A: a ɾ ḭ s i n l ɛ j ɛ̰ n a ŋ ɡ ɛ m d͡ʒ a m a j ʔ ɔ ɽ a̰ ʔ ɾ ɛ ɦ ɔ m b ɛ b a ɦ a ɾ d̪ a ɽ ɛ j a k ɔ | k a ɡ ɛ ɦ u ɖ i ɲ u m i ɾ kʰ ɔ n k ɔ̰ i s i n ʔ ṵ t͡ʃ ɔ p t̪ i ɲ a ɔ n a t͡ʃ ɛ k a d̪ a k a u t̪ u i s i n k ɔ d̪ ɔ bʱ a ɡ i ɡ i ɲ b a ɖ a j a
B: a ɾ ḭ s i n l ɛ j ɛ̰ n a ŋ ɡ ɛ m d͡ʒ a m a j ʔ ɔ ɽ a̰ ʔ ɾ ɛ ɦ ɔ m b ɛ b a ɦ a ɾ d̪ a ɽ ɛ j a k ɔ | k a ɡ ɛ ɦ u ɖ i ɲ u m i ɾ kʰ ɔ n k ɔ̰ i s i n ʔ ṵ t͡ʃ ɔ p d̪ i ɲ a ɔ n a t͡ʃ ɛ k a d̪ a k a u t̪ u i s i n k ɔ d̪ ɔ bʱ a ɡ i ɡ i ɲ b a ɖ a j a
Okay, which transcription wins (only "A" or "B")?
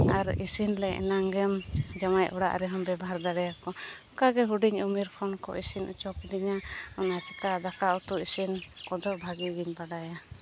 B